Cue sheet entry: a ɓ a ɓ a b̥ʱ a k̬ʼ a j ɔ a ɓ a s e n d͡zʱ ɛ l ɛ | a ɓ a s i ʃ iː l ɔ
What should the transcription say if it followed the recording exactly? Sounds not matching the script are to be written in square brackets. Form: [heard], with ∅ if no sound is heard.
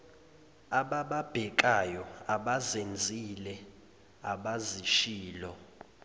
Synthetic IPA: a ɓ a ɓ a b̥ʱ [ɛ] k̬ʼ a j ɔ a ɓ a [z] e n d͡zʱ [i] l ɛ | a ɓ a [z] i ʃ iː l ɔ

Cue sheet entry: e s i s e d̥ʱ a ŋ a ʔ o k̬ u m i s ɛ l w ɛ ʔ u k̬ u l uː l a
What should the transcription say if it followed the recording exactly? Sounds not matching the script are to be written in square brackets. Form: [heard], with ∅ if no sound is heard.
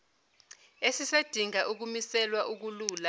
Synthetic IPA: e s i s e d̥ʱ [i] ŋ a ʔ [u] k̬ u m i s ɛ l w [a] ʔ u k̬ u l uː l a

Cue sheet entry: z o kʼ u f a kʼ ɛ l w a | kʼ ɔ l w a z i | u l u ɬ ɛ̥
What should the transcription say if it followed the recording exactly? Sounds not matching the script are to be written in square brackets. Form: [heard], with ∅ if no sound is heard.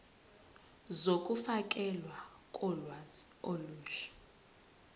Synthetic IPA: z o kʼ u f a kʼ ɛ l w a | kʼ ɔ l w a z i | [o] l [uː] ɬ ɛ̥

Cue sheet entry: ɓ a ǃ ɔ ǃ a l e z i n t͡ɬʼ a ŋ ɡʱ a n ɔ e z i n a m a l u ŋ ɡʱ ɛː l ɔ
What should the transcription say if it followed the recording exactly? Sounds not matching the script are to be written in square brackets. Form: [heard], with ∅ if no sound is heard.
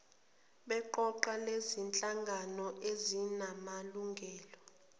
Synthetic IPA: ɓ [ɛ] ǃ ɔ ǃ a l e z i n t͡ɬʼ a ŋ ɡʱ a n ɔ e z i n a m a l u ŋ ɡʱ ɛː l ɔ

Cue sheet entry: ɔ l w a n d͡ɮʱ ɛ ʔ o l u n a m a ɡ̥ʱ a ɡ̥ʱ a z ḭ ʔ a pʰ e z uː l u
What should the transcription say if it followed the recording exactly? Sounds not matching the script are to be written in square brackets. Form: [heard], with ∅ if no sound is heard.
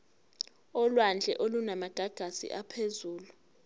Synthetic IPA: ɔ l w a n d͡ɮʱ ɛ ʔ o l u n a m a ɡ̥ʱ a ɡ̥ʱ a [s] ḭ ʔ a pʰ e z uː l u

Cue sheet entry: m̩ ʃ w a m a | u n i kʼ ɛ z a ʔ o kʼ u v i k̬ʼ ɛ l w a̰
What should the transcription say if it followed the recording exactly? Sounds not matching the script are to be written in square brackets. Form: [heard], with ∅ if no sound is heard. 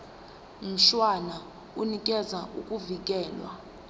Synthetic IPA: m̩ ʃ w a [n] a | u n i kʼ ɛ z a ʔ [u] kʼ u v i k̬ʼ [ɛː] l w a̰

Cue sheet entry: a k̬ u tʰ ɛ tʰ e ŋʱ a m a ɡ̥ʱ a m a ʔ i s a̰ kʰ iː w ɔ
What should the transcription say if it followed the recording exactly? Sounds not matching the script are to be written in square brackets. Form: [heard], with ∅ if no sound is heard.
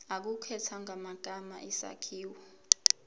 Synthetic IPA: a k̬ u [kʰ] ɛ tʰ [a] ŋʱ a m a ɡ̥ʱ a m a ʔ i s a̰ kʰ iː w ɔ

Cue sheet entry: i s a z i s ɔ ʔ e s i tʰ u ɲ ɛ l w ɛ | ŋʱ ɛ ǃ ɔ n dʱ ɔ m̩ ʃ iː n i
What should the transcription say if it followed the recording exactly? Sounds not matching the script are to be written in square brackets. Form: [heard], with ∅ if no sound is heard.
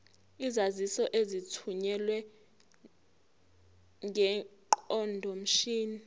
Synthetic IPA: i [z] a z i s ɔ ʔ e [z] i tʰ u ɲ ɛ l w ɛ | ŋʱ ɛ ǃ ɔ n dʱ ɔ m̩ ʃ iː n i

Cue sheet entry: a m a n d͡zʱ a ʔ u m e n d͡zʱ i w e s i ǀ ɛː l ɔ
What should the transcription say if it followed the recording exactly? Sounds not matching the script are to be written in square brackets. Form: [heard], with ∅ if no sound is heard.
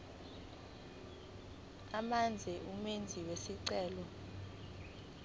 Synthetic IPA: a m a n d͡zʱ [ɛ] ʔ u m e n d͡zʱ i w e s i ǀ ɛː l ɔ

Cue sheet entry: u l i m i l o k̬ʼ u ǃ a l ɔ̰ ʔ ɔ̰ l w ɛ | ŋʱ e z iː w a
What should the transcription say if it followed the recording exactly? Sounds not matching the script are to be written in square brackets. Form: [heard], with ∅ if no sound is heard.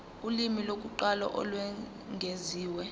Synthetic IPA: u l i m i l o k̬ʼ u ǃ a l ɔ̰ ʔ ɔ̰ l w ɛ | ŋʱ e z iː w [ɛ]

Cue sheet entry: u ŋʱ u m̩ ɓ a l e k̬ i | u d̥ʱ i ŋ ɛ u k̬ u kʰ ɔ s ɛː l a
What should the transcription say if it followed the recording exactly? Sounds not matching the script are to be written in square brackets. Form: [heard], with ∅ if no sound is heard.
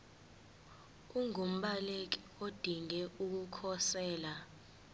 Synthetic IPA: u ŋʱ u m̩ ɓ a l e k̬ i | [o] d̥ʱ i ŋ ɛ u k̬ u kʰ ɔ s ɛː l a

